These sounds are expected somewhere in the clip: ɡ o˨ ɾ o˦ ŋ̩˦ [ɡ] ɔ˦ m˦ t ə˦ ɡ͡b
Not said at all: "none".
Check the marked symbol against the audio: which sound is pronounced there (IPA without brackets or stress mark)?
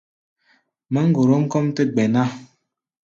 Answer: k